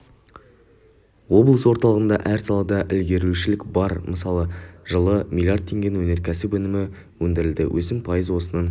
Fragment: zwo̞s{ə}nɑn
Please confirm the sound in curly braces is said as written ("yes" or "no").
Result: yes